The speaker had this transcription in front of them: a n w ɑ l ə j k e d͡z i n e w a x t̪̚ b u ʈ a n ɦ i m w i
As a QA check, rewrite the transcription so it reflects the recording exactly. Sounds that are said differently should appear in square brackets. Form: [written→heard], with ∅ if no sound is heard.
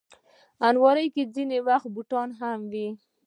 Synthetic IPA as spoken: a n w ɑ [l→ɾ] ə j k e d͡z i n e w a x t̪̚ b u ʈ [a→ɑ] n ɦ [i→a] m w i